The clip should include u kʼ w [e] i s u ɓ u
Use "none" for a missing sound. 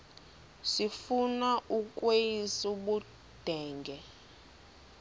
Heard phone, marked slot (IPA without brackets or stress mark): e